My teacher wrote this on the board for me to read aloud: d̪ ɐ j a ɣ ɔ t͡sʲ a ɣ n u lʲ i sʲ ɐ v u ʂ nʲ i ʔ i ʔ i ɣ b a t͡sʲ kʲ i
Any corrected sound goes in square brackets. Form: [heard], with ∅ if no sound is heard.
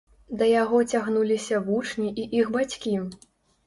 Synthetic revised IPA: d̪ ɐ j a ɣ ɔ t͡sʲ a ɣ n u lʲ i sʲ ɐ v u [t͡ʂ] nʲ i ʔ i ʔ i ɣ b a t͡sʲ kʲ i